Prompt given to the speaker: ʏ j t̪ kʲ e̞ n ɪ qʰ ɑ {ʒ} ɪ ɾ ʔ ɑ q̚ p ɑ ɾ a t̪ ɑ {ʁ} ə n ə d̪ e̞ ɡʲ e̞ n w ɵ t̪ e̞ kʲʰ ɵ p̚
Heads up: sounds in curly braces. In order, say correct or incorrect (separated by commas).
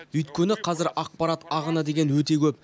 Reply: incorrect, correct